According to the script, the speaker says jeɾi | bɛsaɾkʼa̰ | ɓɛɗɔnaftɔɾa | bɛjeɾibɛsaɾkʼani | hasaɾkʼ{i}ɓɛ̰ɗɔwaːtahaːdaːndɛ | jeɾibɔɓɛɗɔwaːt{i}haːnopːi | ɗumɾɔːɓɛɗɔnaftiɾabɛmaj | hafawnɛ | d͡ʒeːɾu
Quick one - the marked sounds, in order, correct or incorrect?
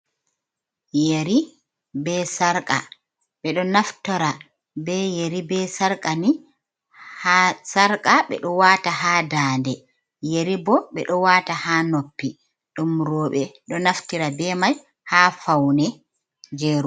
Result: incorrect, incorrect

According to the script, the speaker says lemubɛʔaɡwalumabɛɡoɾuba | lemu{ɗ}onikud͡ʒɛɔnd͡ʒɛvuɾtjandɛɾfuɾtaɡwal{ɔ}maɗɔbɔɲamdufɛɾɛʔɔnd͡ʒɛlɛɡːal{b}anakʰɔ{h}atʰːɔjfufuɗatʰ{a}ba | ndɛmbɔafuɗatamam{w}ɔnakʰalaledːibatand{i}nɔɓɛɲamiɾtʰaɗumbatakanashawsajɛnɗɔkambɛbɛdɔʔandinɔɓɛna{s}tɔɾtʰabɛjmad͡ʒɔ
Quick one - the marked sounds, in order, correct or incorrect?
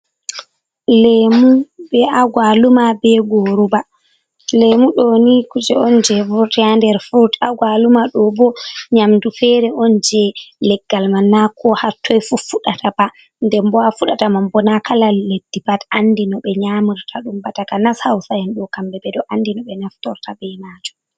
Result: correct, incorrect, incorrect, correct, correct, incorrect, correct, incorrect

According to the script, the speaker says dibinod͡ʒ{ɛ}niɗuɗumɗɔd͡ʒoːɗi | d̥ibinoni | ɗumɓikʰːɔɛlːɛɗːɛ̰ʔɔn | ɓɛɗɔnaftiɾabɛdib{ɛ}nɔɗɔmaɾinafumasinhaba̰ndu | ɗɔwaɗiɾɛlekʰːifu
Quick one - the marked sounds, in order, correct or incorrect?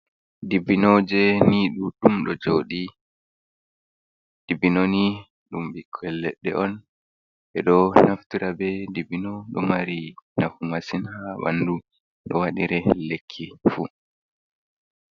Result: correct, incorrect

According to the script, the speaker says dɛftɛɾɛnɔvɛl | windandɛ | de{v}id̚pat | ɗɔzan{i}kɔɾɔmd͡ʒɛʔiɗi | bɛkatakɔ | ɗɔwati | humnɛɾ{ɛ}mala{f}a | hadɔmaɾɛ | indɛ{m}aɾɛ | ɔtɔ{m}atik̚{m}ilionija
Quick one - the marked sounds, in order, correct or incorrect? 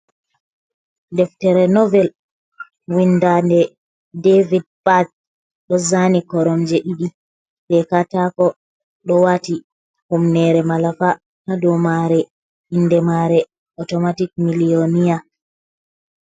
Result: correct, correct, correct, correct, correct, correct, correct

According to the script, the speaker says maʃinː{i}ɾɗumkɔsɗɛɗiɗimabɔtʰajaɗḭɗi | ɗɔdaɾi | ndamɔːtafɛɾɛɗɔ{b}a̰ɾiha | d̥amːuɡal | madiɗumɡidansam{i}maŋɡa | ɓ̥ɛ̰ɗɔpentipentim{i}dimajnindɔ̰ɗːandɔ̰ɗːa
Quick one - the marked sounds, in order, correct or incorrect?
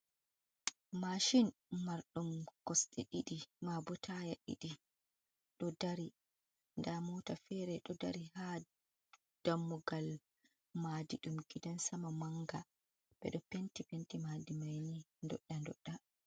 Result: incorrect, incorrect, incorrect, incorrect

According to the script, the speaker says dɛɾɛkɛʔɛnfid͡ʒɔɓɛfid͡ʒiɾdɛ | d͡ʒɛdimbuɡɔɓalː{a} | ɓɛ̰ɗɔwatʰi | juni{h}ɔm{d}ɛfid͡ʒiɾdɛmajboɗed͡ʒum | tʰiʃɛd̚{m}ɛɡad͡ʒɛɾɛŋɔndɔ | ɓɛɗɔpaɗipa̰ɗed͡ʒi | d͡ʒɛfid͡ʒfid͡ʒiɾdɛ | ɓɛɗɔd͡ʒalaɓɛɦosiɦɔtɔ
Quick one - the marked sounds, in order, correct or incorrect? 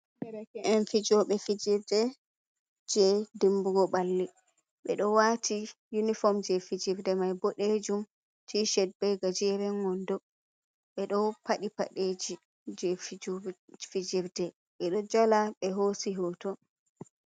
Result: incorrect, incorrect, incorrect, incorrect

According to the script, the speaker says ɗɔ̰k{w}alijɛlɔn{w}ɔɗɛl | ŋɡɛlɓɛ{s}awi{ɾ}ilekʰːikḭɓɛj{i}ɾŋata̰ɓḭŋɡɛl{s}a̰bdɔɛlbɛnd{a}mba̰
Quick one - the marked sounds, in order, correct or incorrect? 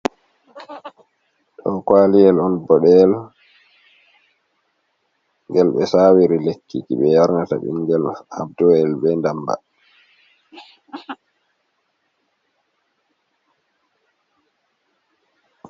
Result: correct, incorrect, correct, correct, incorrect, incorrect, correct

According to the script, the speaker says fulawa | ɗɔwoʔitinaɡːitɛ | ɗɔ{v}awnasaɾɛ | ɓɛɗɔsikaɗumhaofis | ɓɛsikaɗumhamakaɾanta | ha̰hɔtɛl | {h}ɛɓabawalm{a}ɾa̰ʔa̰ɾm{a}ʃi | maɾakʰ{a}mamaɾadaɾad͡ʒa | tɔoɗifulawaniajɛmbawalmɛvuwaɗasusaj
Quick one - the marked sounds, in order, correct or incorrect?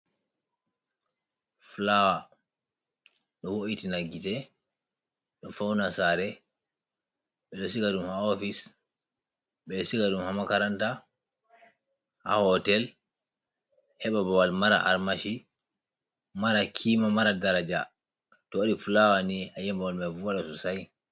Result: incorrect, correct, correct, correct, incorrect

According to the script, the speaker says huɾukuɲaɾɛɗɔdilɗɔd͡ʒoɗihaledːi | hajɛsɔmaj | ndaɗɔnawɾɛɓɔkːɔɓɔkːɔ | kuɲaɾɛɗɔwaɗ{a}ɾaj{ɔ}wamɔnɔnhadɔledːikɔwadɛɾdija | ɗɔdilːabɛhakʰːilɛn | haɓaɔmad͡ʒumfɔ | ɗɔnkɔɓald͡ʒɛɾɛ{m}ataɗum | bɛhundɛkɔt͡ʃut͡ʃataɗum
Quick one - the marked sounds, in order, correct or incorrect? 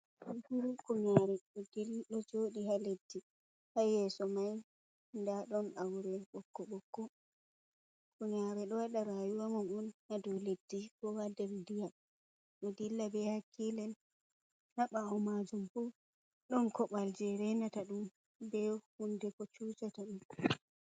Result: correct, incorrect, incorrect

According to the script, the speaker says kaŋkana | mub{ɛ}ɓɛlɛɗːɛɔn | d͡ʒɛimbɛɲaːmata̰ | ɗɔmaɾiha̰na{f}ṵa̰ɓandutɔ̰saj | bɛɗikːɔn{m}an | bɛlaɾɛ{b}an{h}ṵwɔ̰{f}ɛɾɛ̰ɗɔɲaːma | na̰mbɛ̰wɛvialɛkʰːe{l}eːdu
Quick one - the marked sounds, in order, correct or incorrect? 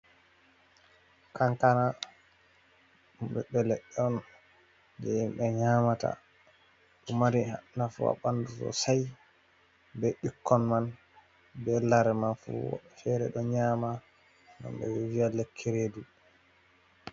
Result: correct, correct, correct, incorrect, incorrect, correct, incorrect

